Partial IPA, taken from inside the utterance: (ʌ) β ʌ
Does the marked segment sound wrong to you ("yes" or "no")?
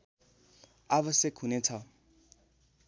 yes